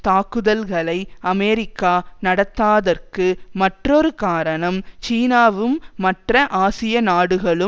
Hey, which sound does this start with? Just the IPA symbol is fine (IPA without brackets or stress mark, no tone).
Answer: t̪